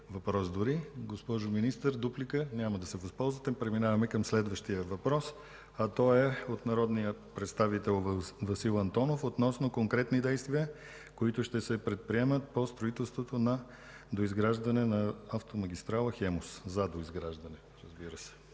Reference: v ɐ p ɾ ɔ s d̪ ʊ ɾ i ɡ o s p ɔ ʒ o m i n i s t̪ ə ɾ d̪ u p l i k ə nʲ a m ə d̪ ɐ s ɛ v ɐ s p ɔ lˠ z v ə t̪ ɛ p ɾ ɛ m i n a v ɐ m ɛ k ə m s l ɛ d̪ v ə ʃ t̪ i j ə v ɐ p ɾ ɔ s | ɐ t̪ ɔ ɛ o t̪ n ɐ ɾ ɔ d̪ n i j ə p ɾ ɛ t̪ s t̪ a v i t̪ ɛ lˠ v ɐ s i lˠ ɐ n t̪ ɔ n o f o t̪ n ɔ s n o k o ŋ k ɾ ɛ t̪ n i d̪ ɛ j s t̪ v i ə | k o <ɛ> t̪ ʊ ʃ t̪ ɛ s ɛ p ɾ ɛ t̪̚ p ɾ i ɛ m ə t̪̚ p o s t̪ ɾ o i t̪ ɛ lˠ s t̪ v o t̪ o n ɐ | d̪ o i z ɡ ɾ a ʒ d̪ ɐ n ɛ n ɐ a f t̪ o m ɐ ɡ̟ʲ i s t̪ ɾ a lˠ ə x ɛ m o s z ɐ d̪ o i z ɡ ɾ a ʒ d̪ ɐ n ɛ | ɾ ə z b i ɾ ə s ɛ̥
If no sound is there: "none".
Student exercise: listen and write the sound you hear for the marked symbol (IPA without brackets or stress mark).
i